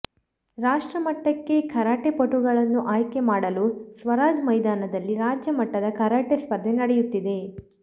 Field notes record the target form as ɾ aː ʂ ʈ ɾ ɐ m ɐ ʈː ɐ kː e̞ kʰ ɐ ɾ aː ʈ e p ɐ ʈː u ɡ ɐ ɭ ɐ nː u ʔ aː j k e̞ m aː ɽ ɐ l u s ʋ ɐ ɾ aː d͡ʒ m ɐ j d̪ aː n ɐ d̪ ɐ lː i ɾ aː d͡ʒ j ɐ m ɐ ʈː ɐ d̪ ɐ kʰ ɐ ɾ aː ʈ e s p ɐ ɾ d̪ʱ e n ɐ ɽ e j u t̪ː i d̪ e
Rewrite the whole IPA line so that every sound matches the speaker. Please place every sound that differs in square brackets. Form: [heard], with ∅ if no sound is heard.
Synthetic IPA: ɾ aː ʂ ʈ ɾ ɐ m ɐ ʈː ɐ kː e̞ kʰ ɐ ɾ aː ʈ e p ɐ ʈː u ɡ ɐ ɭ ɐ nː u ʔ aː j k e̞ m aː ɽ ɐ l u s ʋ ɐ ɾ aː d͡ʒ m ɐ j d̪ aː n ɐ d̪ ɐ lː i ɾ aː d͡ʒ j ɐ m ɐ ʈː ɐ d̪ ɐ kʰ ɐ ɾ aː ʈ e s p ɐ ɾ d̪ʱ e n ɐ ɽ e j u t̪ː i d̪ e